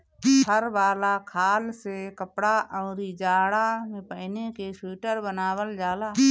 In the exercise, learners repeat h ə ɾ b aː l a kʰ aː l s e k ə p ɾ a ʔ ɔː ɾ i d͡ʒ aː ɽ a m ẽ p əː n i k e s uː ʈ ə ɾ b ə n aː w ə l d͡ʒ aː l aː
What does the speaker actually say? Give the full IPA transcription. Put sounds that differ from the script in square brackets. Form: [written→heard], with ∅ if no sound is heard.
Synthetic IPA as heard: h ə ɾ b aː l a kʰ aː l s e k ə p [ɾ→ɽ] a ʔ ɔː ɾ i d͡ʒ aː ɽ a m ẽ p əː n [i→e] k e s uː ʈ ə ɾ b ə n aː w ə l d͡ʒ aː l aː

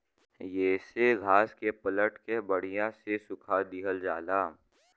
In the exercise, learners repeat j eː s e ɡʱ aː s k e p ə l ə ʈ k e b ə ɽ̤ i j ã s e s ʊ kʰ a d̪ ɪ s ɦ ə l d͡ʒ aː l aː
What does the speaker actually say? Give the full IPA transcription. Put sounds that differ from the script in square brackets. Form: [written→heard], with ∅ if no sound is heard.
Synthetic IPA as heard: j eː s e ɡʱ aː s k e p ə l ə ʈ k e b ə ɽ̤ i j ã s e s ʊ kʰ a d̪ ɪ [s→∅] ɦ ə l d͡ʒ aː l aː

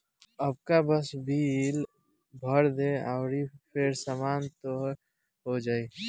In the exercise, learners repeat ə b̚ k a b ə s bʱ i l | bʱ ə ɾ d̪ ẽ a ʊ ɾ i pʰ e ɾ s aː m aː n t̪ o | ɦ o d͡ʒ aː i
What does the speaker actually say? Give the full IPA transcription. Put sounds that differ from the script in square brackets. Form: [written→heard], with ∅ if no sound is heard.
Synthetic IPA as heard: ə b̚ k a b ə s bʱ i l | bʱ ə ɾ d̪ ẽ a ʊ ɾ i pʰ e ɾ s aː m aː n t̪ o | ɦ o d͡ʒ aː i

